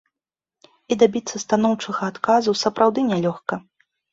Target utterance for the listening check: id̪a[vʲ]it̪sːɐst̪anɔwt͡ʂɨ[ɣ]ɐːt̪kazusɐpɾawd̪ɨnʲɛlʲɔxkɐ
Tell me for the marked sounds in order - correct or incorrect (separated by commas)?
incorrect, correct